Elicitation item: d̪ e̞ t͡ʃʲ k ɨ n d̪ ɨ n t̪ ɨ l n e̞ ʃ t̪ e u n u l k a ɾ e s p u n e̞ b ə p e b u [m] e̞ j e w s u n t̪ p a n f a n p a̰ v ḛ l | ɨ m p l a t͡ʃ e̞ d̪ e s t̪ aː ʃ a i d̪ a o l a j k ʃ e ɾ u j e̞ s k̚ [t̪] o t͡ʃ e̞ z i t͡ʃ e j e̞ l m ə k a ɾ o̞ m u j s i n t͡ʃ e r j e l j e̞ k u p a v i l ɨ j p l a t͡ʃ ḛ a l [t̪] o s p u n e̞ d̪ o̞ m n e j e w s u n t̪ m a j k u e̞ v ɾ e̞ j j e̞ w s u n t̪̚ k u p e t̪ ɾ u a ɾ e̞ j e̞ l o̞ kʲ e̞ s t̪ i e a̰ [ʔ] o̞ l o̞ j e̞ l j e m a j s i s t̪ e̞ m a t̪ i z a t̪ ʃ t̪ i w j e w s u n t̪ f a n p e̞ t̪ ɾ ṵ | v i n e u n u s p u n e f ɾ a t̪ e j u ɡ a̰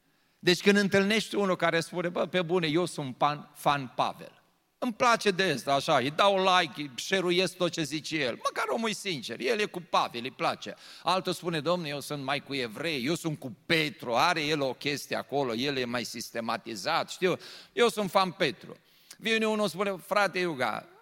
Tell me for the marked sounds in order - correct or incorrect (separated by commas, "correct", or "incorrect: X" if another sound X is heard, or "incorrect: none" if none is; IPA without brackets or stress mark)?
incorrect: n, correct, correct, incorrect: k